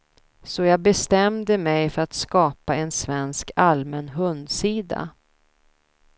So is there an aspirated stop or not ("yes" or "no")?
no